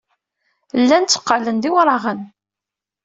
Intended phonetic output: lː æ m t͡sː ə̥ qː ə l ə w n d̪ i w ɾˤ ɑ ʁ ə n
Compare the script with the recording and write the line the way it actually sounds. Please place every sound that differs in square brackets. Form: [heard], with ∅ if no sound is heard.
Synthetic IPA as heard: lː æ [n] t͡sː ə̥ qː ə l ə [∅] n d̪ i w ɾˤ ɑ ʁ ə n